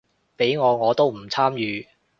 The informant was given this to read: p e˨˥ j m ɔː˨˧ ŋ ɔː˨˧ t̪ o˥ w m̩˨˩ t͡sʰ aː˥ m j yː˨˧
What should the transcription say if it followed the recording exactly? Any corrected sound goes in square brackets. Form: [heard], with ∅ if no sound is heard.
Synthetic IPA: p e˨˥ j [ŋ] ɔː˨˧ ŋ ɔː˨˧ t̪ o˥ w m̩˨˩ t͡sʰ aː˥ m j yː˨˧

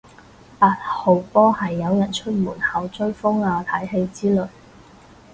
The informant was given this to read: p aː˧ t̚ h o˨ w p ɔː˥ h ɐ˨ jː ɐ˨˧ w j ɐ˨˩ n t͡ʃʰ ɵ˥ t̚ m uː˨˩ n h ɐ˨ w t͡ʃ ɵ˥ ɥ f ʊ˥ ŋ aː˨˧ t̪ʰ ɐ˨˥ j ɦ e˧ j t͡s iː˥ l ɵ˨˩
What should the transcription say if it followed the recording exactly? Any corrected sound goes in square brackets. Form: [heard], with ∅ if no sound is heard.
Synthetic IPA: p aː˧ t̚ h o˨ w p ɔː˥ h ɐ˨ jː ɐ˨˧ w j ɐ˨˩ n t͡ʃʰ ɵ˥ t̚ m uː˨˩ n h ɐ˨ w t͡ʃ ɵ˥ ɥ f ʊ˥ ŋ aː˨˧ t̪ʰ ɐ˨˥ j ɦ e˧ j t͡s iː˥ l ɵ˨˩

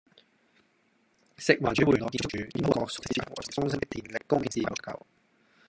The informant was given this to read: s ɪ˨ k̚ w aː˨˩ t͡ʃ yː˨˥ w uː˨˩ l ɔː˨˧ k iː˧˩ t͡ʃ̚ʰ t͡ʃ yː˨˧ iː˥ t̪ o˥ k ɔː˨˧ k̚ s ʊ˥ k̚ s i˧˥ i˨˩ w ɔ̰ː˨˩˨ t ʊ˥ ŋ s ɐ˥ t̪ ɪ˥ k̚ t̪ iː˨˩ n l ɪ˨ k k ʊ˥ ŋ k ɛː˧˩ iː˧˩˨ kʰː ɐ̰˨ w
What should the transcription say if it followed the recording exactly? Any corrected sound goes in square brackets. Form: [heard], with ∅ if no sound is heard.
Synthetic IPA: s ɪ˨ k̚ w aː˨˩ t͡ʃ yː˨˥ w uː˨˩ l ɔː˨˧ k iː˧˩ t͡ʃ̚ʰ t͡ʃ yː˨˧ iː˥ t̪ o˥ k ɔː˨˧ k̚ s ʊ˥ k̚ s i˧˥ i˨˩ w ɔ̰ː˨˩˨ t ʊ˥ ŋ s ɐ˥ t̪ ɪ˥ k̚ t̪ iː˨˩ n l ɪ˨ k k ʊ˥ ŋ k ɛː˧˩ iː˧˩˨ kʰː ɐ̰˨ w

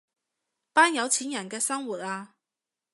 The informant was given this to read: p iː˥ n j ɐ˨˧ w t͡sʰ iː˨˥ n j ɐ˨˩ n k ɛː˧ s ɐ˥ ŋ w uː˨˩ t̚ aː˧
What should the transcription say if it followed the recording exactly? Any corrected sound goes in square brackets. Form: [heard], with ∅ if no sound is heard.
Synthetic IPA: p [aː˥] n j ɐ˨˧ w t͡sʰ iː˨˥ n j ɐ˨˩ n k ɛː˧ s ɐ˥ ŋ w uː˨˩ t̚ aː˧

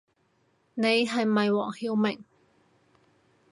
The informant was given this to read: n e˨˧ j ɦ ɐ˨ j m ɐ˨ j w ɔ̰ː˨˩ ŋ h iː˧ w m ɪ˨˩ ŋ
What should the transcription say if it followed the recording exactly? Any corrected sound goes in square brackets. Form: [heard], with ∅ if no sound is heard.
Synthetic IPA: n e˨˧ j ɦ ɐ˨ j m ɐ˨ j w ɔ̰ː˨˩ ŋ h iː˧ w m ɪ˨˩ ŋ

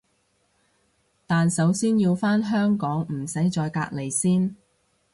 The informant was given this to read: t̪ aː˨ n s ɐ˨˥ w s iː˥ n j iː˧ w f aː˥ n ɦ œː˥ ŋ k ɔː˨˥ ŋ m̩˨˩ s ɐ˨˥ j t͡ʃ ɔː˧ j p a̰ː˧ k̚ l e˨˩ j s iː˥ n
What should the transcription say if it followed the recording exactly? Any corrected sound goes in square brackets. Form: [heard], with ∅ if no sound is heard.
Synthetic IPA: t̪ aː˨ n s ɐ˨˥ w s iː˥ n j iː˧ w f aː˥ n ɦ œː˥ ŋ k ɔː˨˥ ŋ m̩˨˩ s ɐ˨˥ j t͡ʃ ɔː˧ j [k] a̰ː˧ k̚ l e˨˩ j s iː˥ n

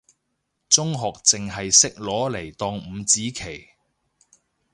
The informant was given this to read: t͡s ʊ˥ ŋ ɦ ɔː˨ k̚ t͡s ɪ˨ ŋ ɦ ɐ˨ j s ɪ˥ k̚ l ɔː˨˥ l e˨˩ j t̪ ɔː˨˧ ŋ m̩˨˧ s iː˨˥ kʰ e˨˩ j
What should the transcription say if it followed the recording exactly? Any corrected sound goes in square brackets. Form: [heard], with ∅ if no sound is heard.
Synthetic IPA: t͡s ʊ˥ ŋ ɦ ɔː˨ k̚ t͡s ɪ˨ ŋ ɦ ɐ˨ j s ɪ˥ k̚ l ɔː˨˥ l e˨˩ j t̪ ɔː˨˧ ŋ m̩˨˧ [t͡s] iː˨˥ kʰ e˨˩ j

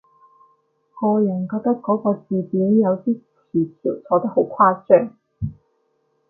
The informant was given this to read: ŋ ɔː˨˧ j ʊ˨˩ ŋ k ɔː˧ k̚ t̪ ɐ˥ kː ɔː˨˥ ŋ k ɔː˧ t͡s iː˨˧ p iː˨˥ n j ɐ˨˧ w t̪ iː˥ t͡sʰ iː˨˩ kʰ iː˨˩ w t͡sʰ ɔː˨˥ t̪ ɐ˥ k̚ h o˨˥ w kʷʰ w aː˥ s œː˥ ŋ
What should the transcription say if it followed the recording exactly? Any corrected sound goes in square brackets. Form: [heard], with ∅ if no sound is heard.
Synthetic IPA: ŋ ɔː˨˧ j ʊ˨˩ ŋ k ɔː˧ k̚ t̪ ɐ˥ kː ɔː˨˥ [∅] k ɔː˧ t͡s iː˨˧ p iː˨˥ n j ɐ˨˧ w t̪ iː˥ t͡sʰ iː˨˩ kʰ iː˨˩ w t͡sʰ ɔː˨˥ t̪ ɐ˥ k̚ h o˨˥ w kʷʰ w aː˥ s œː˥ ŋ

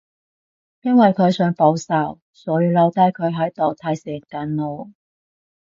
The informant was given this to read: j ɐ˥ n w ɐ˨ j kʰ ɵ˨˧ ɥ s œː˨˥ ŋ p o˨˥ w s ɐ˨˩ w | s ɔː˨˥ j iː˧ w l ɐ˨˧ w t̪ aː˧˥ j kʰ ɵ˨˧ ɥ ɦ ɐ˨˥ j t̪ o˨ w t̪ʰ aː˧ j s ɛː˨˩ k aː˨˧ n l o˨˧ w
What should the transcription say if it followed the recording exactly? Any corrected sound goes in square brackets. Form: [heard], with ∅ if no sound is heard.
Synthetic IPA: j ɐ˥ n w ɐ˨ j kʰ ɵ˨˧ ɥ s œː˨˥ ŋ p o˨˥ w s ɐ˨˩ w | s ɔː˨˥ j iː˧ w l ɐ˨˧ w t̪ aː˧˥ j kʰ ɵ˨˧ ɥ ɦ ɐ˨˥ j t̪ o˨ w t̪ʰ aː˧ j s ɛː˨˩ k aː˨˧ n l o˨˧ w

